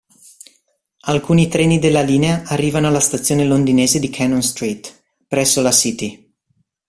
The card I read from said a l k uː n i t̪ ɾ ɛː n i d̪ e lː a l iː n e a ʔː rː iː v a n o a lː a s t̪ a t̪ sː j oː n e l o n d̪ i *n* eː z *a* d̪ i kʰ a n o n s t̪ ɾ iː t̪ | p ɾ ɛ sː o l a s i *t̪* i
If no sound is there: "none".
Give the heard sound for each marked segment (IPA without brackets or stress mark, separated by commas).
n, e, t̪